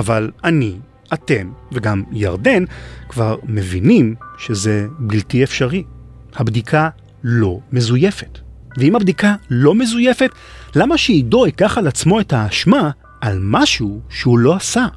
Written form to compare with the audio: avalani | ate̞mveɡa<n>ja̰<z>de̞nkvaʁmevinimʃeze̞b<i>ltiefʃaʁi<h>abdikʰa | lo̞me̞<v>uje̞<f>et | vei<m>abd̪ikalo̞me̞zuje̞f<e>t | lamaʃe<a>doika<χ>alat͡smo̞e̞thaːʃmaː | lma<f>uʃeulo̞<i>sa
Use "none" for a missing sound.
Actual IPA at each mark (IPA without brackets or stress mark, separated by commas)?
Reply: m, ʁ, i, h, z, f, m, e, i, χ, ʃ, a